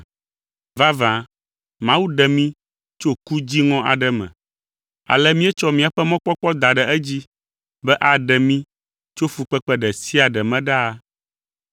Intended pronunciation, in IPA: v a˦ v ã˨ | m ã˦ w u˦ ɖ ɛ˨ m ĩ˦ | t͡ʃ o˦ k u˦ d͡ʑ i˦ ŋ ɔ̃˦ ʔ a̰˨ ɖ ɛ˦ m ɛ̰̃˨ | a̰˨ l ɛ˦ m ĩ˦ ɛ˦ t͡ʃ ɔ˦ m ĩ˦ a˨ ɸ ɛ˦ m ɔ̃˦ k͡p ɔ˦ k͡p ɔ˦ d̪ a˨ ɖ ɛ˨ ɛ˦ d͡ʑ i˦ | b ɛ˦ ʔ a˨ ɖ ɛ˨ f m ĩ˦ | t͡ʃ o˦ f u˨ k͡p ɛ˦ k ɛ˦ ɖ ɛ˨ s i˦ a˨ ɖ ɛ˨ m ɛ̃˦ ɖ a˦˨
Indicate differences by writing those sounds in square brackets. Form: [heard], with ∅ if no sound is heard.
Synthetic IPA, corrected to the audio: v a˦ v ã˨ | m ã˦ w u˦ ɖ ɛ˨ m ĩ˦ | t͡ʃ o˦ k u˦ d͡ʑ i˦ ŋ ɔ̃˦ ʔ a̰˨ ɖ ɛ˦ m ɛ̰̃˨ | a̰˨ l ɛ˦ m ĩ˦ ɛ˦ t͡ʃ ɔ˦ m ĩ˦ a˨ ɸ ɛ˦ m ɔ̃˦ k͡p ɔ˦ k͡p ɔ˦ d̪ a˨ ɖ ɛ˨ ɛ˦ d͡ʑ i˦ | b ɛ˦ ʔ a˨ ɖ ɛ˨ [∅] m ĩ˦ | t͡ʃ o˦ f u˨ k͡p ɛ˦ [k͡p] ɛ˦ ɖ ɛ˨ s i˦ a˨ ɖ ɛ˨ m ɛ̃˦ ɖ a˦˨